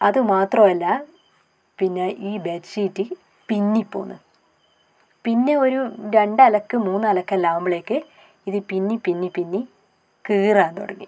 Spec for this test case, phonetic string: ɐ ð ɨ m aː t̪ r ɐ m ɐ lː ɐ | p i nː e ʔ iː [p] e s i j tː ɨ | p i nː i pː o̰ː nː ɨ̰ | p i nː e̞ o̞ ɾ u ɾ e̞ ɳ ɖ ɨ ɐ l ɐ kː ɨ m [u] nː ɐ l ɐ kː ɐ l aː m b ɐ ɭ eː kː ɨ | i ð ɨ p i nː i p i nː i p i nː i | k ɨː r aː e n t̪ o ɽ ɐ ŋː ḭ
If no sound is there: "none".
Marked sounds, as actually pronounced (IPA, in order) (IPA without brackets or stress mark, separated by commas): b, uː